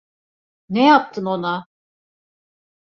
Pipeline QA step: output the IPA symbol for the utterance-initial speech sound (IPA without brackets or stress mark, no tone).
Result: n